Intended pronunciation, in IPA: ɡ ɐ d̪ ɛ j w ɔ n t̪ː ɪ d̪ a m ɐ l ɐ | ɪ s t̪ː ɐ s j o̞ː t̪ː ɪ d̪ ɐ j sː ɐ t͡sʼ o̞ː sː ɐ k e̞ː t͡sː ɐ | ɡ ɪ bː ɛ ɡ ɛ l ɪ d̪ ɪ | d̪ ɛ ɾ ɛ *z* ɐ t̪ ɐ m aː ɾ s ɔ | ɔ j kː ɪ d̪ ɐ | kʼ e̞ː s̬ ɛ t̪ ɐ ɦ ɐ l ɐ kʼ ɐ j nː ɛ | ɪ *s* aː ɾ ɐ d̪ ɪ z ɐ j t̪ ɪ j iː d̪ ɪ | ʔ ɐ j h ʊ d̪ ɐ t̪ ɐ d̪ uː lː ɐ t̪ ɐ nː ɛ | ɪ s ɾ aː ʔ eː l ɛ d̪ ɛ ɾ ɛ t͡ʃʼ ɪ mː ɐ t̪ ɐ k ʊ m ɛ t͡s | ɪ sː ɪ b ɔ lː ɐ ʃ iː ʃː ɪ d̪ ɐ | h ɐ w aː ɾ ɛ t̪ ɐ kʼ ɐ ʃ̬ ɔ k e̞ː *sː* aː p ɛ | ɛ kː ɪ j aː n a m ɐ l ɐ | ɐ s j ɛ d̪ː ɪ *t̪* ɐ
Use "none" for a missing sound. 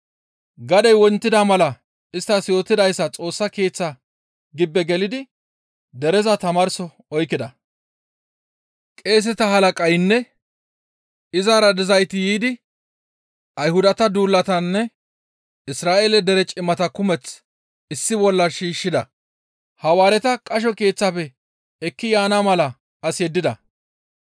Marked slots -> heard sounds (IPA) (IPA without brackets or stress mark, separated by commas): z, z, t͡sː, d̪